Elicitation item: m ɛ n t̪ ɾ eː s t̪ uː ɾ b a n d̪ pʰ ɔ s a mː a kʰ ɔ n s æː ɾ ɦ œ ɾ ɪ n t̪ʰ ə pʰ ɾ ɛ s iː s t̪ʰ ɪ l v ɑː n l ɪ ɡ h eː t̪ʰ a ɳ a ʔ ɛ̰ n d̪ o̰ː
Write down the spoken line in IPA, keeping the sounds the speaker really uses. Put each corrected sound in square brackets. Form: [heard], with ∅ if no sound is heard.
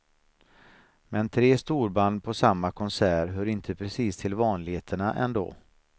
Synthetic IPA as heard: m ɛ n [t̪ʰ] ɾ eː s t̪ uː ɾ b a n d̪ pʰ ɔ s a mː a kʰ ɔ n s æː ɾ ɦ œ ɾ ɪ n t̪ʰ ə pʰ ɾ ɛ s iː s t̪ʰ ɪ l v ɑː n l ɪ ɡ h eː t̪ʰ [ə] ɳ a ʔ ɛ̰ n d̪ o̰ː